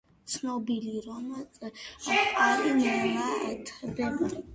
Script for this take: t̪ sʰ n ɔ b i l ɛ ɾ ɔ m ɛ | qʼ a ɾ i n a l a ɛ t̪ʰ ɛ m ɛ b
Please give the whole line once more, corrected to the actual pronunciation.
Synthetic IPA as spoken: t̪ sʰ n ɔ b i l i ɾ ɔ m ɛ | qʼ a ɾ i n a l a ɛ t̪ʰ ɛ b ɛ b